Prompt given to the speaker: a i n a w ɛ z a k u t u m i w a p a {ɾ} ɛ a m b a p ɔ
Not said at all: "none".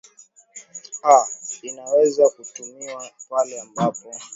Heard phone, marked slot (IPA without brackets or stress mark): l